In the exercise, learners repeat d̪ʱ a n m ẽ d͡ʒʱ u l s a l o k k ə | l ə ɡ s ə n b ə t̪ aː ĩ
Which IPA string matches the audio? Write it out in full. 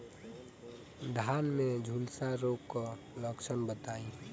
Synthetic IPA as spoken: d̪ʱ a n m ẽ d͡ʒʱ u l s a ɾ o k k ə | l ə k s ə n b ə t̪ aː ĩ